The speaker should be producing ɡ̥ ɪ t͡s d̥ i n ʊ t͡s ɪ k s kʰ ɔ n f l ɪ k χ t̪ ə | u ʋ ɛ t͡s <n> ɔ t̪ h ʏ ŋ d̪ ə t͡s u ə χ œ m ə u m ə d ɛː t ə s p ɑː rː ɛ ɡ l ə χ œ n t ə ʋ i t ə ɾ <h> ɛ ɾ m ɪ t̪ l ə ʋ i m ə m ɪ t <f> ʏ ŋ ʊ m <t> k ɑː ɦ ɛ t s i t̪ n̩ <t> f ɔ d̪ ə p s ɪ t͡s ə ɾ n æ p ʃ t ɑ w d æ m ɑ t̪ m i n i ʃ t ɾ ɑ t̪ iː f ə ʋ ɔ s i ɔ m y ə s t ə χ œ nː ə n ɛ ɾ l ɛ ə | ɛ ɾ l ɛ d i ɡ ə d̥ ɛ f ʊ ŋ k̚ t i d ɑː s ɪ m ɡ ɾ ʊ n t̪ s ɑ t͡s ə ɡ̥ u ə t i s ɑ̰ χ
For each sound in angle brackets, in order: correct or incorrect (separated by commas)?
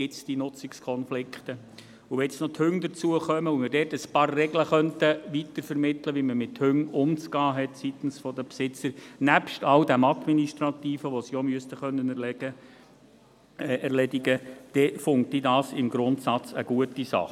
correct, incorrect, incorrect, incorrect, incorrect